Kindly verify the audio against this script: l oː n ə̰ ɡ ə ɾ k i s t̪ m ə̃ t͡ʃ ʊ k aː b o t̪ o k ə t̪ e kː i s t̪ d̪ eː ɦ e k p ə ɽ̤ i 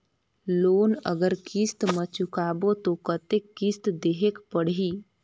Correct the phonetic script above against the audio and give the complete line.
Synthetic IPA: l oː n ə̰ ɡ ə ɾ k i s t̪ m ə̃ t͡ʃ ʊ k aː b o t̪ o k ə t̪ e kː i s t̪ d̪ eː ɦ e k p ə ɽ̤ i